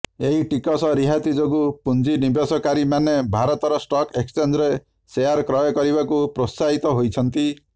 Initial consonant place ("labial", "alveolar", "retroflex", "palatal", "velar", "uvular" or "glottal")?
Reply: glottal